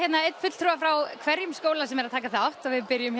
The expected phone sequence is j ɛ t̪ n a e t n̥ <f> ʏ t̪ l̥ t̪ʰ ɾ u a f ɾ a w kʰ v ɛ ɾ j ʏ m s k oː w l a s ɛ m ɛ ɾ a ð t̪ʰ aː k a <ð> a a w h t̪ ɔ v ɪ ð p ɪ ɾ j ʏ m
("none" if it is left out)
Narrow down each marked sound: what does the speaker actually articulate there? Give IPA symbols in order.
f, θ

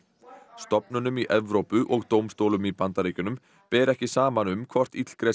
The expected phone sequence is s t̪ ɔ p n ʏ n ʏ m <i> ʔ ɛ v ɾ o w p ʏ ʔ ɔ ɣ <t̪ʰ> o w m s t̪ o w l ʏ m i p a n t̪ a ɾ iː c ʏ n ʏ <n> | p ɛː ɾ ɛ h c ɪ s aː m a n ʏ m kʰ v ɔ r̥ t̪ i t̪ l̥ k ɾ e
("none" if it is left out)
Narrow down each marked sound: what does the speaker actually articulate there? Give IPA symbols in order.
i, t̪, m

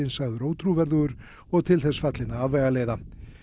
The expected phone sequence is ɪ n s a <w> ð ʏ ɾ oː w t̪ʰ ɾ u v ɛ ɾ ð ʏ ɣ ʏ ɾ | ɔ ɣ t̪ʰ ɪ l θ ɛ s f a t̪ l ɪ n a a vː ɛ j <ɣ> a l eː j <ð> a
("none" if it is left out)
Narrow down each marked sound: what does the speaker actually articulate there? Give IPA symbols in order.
ɣ, ɣ, ð

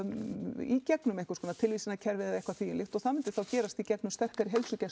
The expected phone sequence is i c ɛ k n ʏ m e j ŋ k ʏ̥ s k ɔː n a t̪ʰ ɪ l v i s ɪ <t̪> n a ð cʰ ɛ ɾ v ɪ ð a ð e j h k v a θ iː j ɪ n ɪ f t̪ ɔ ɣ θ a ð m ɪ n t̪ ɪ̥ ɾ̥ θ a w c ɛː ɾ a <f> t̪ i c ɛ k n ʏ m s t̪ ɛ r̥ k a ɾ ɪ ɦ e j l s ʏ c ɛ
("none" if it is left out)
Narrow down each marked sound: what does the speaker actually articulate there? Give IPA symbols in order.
none, s

